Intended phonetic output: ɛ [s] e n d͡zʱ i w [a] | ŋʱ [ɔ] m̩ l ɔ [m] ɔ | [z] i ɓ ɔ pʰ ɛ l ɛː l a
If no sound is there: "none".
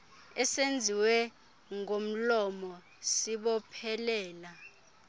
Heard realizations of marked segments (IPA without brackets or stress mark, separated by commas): s, ɛ, o, m, s